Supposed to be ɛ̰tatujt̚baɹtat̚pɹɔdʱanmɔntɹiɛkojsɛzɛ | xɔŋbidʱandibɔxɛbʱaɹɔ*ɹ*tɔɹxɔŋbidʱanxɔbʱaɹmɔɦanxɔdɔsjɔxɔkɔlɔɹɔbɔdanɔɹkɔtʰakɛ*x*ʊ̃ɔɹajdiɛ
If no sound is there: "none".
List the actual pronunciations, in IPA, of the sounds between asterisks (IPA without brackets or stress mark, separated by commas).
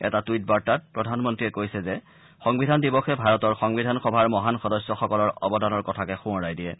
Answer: none, x